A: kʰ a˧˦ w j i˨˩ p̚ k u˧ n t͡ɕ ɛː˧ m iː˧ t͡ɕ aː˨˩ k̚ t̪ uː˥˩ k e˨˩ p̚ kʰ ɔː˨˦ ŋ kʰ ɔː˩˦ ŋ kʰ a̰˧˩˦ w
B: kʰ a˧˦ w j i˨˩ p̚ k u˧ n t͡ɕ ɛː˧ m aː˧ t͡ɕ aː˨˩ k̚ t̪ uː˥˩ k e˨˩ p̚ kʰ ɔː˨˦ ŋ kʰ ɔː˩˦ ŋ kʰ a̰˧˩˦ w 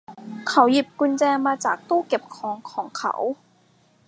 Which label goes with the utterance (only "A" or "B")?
B